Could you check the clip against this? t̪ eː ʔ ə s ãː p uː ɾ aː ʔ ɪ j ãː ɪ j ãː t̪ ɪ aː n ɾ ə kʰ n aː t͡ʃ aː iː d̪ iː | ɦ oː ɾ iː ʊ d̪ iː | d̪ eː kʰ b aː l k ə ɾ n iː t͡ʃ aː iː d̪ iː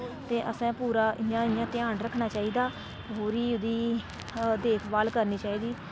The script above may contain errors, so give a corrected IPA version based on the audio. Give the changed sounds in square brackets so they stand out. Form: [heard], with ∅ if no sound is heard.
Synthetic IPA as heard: t̪ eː ʔ ə s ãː p uː ɾ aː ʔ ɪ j ãː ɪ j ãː t̪ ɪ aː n ɾ ə kʰ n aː t͡ʃ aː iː d̪ [aː] | ɦ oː ɾ iː ʊ d̪ iː | d̪ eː kʰ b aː l k ə ɾ n iː t͡ʃ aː iː d̪ iː